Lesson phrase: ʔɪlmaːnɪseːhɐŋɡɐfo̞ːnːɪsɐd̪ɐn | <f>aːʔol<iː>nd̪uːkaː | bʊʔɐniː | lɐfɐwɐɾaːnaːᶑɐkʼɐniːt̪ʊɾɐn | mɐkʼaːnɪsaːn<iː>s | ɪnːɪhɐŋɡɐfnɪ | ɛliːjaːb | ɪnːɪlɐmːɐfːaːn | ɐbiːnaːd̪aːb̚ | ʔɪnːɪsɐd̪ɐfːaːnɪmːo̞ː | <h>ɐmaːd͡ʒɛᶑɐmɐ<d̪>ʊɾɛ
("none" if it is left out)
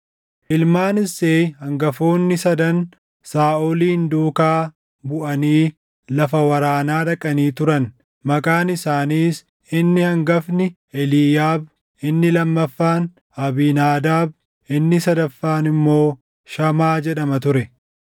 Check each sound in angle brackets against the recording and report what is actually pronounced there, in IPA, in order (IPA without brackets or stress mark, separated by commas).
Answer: s, iː, iː, ʃ, t̪